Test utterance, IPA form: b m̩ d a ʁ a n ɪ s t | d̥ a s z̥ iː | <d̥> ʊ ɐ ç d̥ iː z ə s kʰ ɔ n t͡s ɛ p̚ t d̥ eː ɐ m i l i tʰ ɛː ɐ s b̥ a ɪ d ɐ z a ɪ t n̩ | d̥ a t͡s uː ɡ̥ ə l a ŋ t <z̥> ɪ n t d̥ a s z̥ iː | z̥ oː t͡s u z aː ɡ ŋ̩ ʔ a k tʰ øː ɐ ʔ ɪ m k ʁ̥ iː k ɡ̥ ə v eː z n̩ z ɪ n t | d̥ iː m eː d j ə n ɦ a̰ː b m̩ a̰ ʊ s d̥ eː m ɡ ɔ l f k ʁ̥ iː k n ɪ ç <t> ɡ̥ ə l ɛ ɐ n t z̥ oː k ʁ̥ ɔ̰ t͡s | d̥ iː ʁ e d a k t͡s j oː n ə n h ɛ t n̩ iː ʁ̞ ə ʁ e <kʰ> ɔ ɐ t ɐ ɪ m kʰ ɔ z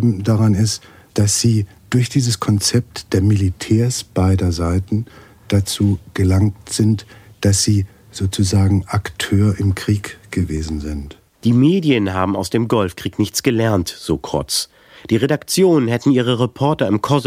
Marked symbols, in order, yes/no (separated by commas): yes, yes, no, no